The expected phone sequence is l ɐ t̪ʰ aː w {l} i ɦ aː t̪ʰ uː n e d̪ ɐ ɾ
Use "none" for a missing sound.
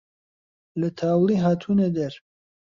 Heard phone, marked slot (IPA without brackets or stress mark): l